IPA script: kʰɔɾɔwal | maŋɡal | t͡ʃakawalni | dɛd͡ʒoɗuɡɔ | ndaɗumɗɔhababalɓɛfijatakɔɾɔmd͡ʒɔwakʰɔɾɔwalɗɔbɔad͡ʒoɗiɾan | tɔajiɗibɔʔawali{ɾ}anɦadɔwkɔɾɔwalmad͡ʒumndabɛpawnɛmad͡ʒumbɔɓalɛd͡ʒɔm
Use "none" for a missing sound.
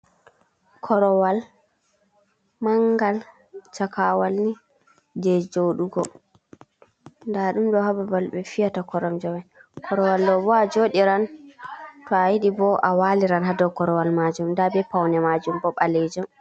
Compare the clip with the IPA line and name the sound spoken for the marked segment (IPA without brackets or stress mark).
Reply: ɾ